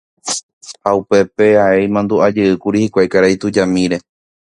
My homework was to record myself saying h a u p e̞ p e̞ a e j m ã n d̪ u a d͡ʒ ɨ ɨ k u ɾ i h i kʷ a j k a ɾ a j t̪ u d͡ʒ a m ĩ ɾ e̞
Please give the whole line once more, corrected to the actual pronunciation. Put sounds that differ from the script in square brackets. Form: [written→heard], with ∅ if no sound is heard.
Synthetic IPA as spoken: h a u p e̞ p e̞ a e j m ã n d̪ u a d͡ʒ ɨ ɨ k u ɾ i h i kʷ a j k a ɾ a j t̪ u d͡ʒ a m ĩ ɾ e̞